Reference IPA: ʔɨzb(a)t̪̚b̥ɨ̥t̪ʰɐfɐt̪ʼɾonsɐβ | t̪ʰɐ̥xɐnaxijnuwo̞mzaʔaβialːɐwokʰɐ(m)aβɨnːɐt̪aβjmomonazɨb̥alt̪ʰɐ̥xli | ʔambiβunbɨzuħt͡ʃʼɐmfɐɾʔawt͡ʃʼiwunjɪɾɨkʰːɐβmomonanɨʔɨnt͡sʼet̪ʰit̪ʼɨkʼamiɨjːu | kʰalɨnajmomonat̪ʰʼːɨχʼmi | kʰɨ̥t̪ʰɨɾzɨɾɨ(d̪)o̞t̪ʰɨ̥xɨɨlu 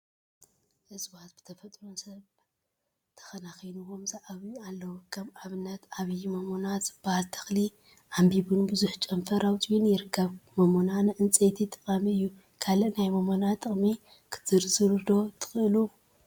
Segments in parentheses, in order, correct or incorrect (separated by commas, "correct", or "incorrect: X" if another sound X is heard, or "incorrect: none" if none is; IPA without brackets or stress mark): correct, correct, correct